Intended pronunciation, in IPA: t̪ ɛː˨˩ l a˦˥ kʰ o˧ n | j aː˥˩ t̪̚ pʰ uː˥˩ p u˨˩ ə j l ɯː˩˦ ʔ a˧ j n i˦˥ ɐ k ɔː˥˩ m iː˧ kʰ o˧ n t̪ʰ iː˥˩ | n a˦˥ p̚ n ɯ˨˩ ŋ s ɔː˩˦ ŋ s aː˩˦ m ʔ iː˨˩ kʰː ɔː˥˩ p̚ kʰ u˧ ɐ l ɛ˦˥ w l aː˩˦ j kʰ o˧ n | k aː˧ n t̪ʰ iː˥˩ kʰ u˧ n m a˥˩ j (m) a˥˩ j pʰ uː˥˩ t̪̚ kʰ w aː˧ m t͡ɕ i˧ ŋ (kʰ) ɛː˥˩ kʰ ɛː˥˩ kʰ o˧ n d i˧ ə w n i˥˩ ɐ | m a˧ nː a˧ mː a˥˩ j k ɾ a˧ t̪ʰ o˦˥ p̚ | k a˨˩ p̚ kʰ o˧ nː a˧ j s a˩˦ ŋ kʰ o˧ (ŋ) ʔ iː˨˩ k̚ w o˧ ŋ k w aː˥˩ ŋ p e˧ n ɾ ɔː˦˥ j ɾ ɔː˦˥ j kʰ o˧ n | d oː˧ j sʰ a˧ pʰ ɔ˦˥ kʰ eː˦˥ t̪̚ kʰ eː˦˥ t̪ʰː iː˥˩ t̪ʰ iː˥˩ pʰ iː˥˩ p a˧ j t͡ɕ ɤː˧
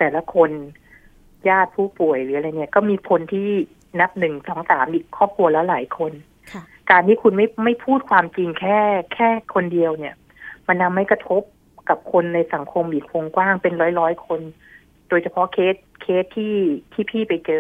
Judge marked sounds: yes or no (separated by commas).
yes, yes, no